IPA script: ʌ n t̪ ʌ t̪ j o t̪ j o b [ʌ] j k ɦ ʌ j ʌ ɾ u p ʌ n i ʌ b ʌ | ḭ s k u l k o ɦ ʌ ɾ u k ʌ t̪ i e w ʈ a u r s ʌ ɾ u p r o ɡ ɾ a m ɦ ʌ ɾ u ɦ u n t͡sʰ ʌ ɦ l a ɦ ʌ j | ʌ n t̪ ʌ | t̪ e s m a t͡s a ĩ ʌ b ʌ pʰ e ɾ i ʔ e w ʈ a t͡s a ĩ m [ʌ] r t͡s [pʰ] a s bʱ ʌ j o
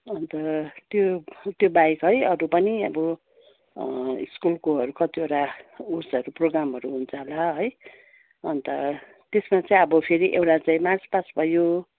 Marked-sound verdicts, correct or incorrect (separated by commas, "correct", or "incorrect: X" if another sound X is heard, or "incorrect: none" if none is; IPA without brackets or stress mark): incorrect: a, incorrect: a, incorrect: p